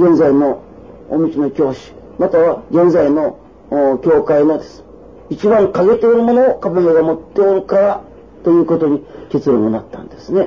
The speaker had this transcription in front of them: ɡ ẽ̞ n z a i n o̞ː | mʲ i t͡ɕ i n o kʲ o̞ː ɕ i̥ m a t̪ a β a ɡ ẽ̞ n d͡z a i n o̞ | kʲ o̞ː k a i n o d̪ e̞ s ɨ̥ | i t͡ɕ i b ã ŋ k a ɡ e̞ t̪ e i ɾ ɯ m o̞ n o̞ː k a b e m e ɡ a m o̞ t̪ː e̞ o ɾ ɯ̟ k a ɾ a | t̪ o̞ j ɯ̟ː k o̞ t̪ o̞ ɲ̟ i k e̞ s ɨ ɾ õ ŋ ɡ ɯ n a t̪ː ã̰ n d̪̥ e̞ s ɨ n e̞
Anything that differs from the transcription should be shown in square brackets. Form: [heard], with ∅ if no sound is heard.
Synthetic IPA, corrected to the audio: ɡ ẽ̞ n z a i n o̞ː | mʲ i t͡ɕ i n o kʲ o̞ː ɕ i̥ m a t̪ a β a ɡ ẽ̞ n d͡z a i n o̞ | kʲ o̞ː k a i n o d̪ e̞ s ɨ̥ | i t͡ɕ i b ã ŋ k a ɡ e̞ t̪ e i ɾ ɯ m o̞ n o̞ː k a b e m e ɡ a m o̞ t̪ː e̞ o ɾ ɯ̟ k a ɾ a | t̪ o̞ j ɯ̟ː k o̞ t̪ o̞ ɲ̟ i k e̞ [t͡s] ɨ ɾ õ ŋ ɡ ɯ n a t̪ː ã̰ n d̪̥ e̞ s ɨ n e̞